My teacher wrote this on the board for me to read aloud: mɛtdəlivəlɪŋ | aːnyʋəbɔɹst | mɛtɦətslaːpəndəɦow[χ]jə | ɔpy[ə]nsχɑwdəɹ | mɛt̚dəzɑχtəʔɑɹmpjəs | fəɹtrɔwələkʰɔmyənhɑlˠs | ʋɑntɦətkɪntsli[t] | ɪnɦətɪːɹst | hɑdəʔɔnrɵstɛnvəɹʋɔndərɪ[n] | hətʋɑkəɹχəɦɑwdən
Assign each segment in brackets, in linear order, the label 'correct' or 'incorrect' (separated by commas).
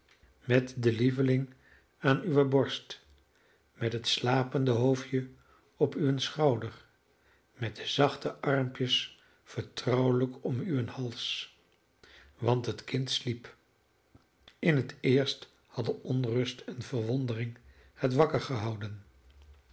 incorrect, correct, incorrect, incorrect